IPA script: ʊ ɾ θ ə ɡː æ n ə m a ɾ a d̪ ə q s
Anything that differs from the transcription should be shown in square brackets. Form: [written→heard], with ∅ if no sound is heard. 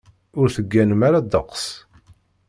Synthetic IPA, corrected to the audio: ʊ ɾ θ ə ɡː æ n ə m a ɾ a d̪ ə q s